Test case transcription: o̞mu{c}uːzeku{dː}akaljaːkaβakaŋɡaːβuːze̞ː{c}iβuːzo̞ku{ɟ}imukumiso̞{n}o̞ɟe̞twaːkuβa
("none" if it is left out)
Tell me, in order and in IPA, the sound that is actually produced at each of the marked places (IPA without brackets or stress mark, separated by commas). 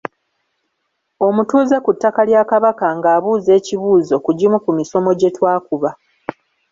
t, tː, c, ɟ, m